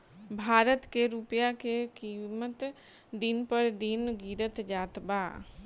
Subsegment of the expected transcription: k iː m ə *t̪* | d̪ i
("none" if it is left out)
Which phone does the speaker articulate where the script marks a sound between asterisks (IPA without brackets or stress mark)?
t̪